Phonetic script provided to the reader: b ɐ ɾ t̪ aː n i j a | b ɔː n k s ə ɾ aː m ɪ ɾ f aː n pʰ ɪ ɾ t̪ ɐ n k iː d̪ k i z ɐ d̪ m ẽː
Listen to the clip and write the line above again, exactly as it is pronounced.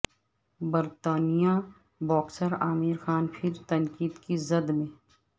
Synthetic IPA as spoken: b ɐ ɾ t̪ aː n i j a | b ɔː k s ə ɾ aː m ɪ ɾ x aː n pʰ ɪ ɾ t̪ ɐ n k iː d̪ k i z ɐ d̪ m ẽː